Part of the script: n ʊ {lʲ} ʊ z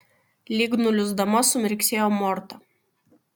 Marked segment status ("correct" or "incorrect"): correct